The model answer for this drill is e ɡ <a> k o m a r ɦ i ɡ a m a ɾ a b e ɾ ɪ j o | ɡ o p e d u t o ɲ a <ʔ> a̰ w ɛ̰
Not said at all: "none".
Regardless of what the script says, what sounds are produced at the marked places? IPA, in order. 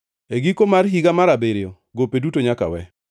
i, k

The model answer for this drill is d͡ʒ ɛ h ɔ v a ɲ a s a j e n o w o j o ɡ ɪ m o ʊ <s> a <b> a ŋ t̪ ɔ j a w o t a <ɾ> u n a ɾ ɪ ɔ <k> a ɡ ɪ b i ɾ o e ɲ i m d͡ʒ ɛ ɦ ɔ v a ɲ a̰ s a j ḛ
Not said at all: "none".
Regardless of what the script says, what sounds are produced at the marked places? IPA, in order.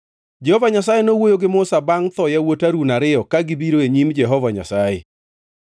s, b, ɾ, k

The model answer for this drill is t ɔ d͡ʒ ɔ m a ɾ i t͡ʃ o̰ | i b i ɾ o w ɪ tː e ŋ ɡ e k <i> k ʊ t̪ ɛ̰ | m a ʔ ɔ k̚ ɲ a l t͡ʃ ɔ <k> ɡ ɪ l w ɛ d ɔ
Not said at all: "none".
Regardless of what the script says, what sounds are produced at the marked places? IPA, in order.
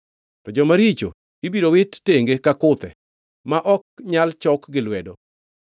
a, k

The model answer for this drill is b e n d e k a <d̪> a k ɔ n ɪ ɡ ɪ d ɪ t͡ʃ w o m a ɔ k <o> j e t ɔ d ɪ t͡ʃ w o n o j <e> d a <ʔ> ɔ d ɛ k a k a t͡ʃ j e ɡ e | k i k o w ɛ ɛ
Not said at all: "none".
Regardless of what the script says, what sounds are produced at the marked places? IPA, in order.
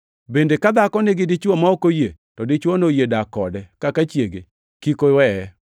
d̪, o, e, k

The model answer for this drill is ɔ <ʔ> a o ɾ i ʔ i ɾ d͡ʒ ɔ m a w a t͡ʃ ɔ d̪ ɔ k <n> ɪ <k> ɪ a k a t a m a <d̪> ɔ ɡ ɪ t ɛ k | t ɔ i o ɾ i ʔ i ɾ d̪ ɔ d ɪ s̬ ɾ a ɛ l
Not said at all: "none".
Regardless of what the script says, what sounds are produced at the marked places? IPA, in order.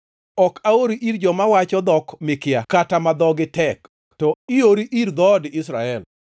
k, m, k, d̪

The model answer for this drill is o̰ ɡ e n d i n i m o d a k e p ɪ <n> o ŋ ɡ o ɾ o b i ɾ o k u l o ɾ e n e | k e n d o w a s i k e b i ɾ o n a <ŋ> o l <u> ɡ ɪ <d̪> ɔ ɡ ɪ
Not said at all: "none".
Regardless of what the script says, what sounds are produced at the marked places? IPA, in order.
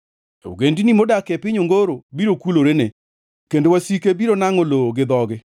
ɲ, ŋ, o, d̪

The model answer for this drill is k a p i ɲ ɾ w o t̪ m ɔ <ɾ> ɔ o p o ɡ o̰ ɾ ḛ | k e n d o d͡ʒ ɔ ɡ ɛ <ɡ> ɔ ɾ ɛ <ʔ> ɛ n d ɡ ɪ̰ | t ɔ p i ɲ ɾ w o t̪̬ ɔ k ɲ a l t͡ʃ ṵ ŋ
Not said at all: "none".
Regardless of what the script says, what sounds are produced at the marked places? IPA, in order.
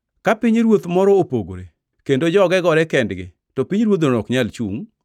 ɾ, ɡ, k

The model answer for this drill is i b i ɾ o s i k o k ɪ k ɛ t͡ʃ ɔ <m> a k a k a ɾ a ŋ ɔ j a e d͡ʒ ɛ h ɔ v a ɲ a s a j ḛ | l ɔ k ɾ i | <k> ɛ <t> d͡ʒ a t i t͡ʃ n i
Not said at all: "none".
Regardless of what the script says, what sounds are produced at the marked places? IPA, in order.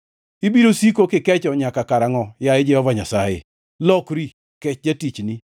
ɲ, k, t͡ʃ

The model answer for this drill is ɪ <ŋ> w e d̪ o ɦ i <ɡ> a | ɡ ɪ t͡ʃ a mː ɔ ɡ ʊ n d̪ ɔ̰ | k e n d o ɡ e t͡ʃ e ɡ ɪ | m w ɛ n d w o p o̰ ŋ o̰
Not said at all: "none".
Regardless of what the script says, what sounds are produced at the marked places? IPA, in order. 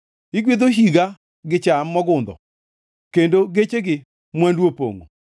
ɡ, ɡ

